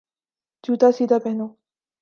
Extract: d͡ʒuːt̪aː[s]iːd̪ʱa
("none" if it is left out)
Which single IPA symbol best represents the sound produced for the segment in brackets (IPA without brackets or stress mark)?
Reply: s